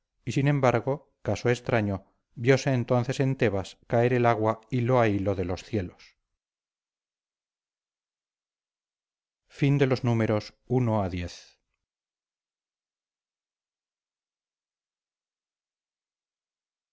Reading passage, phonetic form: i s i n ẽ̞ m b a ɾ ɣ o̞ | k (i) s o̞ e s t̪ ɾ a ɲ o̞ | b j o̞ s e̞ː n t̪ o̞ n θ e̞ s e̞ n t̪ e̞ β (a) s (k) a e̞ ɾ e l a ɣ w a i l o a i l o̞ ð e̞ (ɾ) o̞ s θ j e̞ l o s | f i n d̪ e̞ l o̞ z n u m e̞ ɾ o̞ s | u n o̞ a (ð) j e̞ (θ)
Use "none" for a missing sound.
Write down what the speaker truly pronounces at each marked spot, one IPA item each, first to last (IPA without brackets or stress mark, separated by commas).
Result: a, a, k, l, ð, θ